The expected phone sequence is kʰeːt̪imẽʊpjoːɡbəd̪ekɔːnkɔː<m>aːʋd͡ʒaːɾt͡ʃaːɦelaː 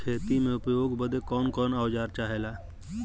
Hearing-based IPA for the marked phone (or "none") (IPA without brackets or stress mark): n